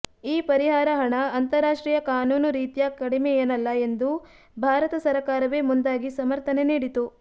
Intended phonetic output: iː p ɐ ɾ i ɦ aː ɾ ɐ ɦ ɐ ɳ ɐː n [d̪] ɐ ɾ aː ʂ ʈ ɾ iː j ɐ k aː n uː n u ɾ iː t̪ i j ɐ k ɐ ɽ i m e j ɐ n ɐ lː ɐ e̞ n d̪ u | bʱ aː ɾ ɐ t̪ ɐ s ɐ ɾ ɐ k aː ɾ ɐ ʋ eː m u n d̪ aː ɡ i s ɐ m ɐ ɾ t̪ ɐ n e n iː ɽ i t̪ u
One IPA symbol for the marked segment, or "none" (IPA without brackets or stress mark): t̪